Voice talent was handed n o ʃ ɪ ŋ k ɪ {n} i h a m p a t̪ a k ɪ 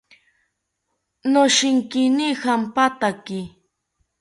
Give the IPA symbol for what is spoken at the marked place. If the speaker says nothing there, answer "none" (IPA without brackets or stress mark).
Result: n